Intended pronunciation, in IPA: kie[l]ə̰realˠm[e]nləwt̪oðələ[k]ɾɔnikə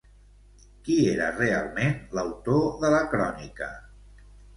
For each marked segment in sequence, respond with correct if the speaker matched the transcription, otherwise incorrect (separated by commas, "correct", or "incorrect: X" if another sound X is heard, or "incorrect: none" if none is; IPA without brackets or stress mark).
incorrect: ɾ, correct, correct